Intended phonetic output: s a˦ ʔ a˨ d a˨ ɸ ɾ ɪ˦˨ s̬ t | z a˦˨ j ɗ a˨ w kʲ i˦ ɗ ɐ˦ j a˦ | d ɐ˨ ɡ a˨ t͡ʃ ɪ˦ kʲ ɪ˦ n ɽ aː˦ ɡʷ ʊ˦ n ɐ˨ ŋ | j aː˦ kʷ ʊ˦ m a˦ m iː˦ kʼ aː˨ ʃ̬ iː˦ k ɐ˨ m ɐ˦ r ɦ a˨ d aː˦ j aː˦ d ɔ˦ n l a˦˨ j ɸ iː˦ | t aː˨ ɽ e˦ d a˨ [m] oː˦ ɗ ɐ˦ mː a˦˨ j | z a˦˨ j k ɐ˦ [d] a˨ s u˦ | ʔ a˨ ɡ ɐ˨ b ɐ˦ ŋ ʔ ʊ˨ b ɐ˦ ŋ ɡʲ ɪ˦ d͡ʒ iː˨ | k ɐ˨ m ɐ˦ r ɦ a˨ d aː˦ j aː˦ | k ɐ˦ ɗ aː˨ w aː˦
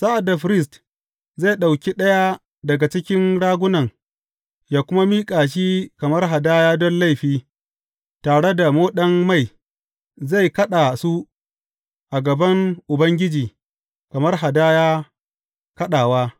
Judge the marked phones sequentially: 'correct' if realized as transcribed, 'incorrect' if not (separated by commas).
correct, incorrect